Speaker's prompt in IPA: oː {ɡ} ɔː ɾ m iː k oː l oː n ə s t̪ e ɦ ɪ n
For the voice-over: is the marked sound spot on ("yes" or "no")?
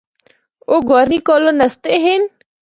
yes